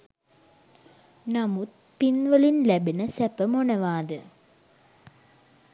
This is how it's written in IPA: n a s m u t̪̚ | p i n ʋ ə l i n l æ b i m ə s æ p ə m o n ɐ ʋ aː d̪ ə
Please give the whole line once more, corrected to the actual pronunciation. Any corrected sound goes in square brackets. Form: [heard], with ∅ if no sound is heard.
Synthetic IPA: n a [∅] m u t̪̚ | p i n ʋ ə l i n l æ b i [n] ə s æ p ə m o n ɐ ʋ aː d̪ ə